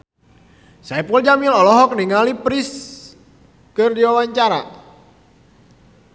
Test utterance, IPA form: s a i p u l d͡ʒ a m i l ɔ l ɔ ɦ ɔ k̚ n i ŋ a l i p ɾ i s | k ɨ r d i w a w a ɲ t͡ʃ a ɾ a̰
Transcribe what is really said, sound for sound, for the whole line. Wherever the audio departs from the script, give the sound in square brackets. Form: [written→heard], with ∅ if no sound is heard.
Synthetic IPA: s a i p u l d͡ʒ a m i l ɔ l ɔ ɦ ɔ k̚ n i ŋ a l i p ɾ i s | k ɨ r d i w a w a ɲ t͡ʃ a ɾ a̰